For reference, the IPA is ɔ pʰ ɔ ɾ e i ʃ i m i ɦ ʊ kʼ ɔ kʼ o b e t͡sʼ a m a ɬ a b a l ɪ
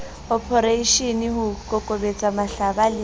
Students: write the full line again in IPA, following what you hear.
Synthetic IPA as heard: ɔ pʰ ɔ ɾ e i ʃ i n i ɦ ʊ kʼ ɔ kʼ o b e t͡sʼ a m a ɬ a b a l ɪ